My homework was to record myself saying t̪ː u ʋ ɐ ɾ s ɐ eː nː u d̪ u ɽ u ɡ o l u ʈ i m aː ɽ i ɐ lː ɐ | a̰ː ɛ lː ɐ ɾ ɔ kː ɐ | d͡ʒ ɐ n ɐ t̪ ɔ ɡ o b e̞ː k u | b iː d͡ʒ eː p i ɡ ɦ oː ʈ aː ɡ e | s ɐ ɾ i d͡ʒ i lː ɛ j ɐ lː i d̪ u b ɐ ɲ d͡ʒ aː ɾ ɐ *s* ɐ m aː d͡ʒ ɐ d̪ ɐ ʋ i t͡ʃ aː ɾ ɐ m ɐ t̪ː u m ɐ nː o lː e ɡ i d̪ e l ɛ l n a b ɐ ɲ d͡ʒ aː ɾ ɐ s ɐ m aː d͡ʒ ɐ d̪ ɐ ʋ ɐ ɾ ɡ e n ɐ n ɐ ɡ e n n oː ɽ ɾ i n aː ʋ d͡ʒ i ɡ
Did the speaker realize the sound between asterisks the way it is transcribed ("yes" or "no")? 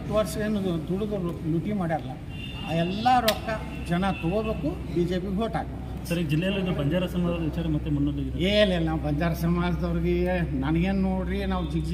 yes